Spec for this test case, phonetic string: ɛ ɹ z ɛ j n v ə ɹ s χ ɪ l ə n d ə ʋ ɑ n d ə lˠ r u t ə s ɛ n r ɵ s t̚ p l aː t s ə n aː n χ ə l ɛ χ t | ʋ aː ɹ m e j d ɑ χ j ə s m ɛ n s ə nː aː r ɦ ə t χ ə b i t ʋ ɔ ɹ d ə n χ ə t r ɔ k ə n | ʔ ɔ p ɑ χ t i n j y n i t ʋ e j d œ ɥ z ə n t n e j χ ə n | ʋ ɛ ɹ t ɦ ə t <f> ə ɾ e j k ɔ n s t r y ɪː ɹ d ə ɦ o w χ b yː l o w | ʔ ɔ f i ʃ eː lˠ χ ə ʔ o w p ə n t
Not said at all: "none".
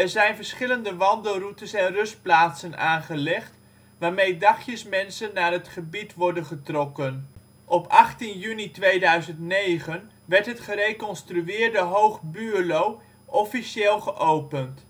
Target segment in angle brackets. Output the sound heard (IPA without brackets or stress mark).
χ